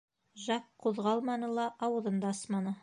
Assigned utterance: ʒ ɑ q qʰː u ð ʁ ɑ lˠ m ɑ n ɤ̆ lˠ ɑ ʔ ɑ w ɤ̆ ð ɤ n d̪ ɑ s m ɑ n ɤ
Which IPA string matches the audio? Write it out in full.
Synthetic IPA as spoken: ʒ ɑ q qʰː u ð ʁ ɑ lˠ m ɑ n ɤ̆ lˠ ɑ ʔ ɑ w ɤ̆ ð ɤ n d̪ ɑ s m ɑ n ɤ